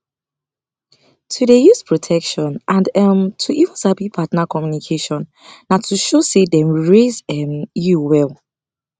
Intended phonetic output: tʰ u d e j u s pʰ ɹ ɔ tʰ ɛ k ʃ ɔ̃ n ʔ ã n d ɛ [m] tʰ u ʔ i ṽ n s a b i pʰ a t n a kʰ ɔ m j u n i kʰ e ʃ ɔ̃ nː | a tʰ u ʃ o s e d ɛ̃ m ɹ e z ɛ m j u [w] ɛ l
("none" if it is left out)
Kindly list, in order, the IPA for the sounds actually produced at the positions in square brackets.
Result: m, w

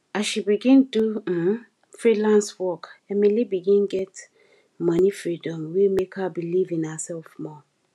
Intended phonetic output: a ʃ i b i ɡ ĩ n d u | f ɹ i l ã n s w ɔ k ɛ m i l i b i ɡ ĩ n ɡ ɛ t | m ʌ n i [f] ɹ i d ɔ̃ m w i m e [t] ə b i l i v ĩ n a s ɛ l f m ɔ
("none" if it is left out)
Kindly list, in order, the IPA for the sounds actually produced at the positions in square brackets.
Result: f, k

